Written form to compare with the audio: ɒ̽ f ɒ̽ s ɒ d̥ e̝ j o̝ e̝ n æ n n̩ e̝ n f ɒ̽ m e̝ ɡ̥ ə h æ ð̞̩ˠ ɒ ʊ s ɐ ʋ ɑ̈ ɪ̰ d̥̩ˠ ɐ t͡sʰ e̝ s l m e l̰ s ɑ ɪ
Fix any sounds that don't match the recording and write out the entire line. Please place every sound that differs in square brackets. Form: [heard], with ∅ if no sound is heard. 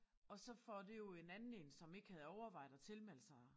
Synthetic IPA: ɒ̽ [s] ɒ̽ [f] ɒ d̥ e̝ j o̝ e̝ n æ n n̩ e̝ n [s] ɒ̽ m e̝ ɡ̥ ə h æ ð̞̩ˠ ɒ ʊ [∅] ɐ ʋ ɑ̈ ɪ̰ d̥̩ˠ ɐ t͡sʰ e̝ [∅] l m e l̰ s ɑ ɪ